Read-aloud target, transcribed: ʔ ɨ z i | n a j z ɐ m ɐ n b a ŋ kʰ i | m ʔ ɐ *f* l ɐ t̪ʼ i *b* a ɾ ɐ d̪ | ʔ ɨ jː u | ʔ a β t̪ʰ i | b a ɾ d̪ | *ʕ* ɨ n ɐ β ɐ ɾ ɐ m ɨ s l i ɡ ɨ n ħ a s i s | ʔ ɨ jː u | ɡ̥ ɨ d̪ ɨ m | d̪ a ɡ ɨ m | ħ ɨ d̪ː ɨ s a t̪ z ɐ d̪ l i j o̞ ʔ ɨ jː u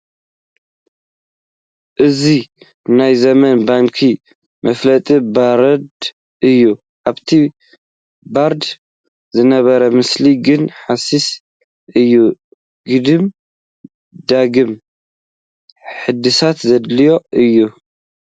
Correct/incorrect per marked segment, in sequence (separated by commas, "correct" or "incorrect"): correct, correct, incorrect